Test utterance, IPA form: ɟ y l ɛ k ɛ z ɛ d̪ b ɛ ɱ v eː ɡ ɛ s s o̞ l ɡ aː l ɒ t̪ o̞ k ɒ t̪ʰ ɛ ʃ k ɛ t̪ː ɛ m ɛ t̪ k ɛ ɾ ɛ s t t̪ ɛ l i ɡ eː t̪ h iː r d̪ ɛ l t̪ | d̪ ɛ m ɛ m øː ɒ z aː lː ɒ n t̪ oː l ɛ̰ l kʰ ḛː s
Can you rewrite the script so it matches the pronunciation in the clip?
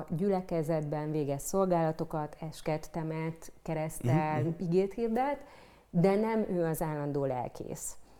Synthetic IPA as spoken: ɟ y l ɛ k ɛ z ɛ d̪ b ɛ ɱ v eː ɡ ɛ s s o̞ l ɡ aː l ɒ t̪ o̞ k ɒ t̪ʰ ɛ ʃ k ɛ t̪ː ɛ m ɛ t̪ k ɛ ɾ ɛ s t t̪ ɛ l i ɡ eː t̪ h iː r d̪ ɛ l t̪ | d̪ ɛ n ɛ m øː ɒ z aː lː ɒ n d̪ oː l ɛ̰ l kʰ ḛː s